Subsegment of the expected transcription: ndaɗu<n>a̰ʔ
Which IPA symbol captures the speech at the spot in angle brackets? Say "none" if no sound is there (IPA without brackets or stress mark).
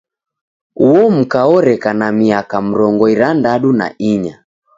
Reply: n